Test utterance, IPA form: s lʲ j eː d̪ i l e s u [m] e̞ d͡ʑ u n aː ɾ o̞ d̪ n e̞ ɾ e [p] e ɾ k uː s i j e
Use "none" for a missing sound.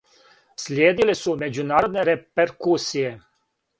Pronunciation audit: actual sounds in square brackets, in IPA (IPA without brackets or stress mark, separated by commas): m, p